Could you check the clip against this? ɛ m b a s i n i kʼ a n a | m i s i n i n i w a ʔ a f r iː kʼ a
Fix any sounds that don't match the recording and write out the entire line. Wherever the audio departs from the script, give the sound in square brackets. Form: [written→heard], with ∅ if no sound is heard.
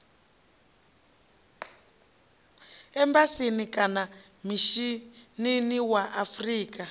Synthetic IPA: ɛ m b a s i n i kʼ a n a | m i [s→ʃ] i n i n i w a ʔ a f r iː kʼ a